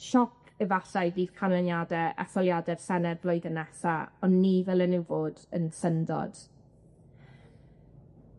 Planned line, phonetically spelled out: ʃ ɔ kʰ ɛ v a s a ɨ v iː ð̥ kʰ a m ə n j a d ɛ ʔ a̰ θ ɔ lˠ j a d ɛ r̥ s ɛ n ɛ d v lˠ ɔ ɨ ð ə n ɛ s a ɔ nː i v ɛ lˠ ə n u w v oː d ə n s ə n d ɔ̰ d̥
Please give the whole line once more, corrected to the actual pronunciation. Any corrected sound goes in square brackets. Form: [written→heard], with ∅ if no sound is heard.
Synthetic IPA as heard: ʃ ɔ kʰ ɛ v a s a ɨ v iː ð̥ kʰ a [m→n] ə n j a d ɛ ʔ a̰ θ ɔ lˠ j a d ɛ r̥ s ɛ n ɛ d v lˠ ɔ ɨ ð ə n ɛ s a ɔ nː i v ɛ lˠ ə n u w v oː d ə n s ə n d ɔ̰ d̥